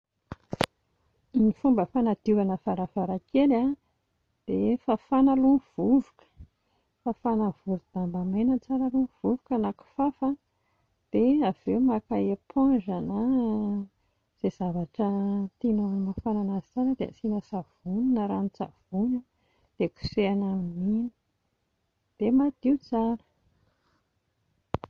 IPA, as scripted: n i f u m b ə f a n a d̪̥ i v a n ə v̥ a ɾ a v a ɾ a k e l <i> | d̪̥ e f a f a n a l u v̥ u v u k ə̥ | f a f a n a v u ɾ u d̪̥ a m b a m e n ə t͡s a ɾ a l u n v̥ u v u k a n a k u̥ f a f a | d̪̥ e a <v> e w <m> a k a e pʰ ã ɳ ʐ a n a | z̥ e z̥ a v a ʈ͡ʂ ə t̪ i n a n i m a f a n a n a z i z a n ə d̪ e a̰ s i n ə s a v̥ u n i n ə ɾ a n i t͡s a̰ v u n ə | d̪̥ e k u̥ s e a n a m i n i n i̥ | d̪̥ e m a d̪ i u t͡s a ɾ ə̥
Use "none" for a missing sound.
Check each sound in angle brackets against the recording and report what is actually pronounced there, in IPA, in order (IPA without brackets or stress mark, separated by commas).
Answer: a, v, m